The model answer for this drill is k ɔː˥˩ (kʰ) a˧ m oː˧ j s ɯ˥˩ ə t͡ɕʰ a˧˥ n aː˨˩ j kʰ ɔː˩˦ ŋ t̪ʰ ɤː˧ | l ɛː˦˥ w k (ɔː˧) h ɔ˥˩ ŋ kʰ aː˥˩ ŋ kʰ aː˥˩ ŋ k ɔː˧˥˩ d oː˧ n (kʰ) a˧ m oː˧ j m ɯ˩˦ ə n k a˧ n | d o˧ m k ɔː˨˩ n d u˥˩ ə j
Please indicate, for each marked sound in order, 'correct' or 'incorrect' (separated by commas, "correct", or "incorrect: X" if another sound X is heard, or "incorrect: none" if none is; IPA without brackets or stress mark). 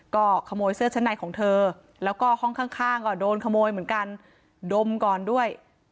correct, incorrect: ɔː˥˩, correct